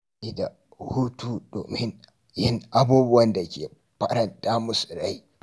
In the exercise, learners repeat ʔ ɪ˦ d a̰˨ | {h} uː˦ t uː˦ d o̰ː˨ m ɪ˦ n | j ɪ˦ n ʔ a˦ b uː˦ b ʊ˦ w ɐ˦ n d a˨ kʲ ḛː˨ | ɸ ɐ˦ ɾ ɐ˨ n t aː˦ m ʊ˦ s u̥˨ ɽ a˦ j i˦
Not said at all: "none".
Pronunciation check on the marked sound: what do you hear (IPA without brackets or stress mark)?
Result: h